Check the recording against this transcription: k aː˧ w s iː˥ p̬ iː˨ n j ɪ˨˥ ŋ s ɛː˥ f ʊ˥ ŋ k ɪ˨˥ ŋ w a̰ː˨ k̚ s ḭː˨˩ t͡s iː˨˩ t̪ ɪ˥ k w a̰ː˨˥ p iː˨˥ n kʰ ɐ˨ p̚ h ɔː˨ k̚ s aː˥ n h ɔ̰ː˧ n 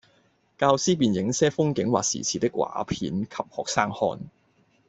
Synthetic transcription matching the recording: k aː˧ w s iː˥ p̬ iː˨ n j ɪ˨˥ ŋ s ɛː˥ f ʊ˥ ŋ k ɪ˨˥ ŋ w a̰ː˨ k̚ s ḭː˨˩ t͡sʰ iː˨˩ t̪ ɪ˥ k w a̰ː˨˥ pʰ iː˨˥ n kʰ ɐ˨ p̚ h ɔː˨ k̚ s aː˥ ŋ h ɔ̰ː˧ n